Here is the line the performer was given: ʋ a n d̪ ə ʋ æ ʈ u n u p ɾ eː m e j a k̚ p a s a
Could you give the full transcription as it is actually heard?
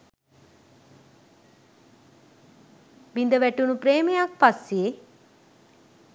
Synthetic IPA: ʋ i n d̪ ə ʋ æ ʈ u n u p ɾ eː m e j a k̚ p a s e

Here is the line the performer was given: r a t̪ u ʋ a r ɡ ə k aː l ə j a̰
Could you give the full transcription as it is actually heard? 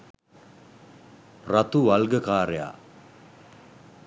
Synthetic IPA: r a t̪ u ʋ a l ɡ ə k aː ɾ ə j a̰

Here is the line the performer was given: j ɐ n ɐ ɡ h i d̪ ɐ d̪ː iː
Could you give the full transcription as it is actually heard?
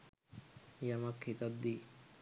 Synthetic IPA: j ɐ m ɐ k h i t̪ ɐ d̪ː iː

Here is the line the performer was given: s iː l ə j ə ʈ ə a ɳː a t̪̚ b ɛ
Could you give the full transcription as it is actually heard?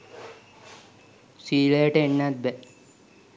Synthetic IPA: s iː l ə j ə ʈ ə e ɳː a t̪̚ b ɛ

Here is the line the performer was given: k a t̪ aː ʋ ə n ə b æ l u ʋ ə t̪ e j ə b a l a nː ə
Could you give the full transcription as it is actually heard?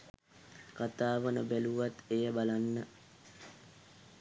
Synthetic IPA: k a t̪ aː ʋ ə n ə b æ l u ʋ a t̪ e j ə b a l a nː ə

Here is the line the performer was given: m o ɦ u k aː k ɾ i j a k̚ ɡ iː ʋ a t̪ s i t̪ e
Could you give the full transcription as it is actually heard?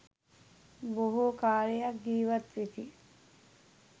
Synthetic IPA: b o ɦ u k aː ɾ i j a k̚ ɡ iː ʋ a t̪ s i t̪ i

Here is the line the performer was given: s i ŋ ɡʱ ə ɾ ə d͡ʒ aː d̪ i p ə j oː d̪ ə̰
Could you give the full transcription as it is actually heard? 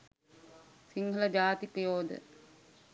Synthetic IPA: s i ŋ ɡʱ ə l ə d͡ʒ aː t̪ i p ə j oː d̪ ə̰

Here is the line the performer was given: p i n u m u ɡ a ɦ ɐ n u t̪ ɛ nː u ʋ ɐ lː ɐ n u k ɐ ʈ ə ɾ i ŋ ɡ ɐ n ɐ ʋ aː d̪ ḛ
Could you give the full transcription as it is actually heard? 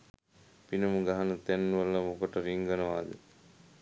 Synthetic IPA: p i n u m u ɡ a ɦ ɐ n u t̪ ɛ nː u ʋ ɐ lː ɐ m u k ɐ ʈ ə ɾ i ŋ ɡ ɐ n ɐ ʋ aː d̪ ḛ

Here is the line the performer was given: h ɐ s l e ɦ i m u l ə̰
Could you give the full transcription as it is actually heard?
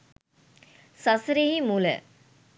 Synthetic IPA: s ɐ s ɾ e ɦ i m u l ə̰

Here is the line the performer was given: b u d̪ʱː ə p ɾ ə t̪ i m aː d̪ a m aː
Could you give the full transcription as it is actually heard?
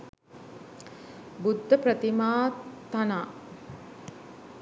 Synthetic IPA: b u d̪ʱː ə p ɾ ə t̪ i m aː t̪ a n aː

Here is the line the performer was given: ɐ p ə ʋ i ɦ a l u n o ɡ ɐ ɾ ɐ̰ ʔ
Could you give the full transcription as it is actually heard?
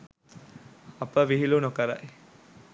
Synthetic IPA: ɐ p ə ʋ i ɦ i l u n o k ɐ ɾ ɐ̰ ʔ

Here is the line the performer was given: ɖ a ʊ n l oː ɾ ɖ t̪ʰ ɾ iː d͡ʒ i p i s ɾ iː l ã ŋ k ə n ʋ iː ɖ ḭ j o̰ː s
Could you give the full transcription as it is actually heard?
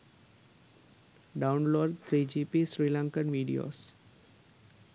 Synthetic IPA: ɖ a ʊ n l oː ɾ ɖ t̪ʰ ɾ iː d͡ʒ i p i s ɾ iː l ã ŋ k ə n ʋ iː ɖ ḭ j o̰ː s

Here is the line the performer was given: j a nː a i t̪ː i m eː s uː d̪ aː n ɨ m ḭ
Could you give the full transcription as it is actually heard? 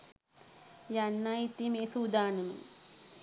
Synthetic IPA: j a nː a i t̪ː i m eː s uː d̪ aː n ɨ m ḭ

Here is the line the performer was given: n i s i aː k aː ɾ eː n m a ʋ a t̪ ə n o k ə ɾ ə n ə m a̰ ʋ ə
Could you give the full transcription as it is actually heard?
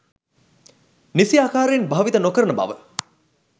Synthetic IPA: n i s i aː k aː ɾ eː n b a ʋ i t̪ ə n o k ə ɾ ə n ə b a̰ ʋ ə

